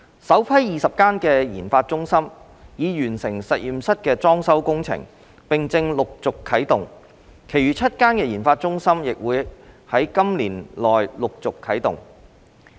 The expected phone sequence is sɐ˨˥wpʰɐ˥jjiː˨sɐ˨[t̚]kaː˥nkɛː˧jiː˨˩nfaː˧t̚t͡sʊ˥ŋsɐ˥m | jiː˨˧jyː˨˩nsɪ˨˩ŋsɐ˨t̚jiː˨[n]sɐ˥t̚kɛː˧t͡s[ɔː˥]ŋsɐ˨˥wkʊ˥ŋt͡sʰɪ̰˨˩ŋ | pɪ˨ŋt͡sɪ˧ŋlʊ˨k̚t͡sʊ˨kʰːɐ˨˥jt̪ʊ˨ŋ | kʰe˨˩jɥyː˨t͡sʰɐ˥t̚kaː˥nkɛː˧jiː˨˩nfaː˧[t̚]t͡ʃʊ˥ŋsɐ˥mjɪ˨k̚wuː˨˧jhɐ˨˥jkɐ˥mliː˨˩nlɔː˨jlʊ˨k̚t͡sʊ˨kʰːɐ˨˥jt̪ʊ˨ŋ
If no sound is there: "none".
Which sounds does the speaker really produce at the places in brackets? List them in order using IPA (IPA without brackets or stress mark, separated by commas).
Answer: p̚, m, ɔː˥, t̚